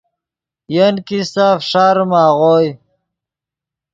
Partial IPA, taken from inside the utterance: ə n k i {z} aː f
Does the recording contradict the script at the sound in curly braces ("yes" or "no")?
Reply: yes